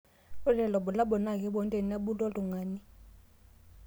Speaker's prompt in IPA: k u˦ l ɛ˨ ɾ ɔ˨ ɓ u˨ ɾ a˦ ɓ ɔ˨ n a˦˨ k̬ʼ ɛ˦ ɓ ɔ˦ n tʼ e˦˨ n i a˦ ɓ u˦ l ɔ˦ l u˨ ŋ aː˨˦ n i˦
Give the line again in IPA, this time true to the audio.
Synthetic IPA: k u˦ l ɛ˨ l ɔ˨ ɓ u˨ l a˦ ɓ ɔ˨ n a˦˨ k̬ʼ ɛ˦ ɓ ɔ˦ n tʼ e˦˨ n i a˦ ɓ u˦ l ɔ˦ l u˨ ŋ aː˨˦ n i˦